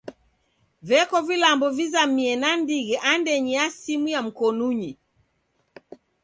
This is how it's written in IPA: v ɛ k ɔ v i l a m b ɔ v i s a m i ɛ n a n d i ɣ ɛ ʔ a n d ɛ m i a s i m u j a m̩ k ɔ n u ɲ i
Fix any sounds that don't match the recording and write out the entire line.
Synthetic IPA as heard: v ɛ k ɔ v i l a m b ɔ v i z a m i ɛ n a n d i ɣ ɛ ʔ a n d ɛ ɲ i a s i m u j a m̩ k ɔ n u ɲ i